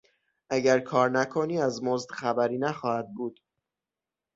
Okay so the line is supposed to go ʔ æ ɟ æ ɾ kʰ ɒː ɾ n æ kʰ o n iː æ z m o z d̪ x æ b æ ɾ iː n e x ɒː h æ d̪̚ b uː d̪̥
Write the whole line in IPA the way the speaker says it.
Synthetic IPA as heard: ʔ æ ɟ æ ɾ kʰ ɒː ɾ n æ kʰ o n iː æ z m o z d̪ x æ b æ ɾ iː n æ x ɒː h æ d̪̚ b uː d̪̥